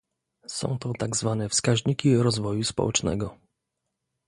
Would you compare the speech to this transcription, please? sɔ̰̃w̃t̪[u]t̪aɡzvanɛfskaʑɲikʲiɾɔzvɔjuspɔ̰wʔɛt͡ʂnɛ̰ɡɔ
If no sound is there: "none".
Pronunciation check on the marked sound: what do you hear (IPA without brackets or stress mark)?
ɔ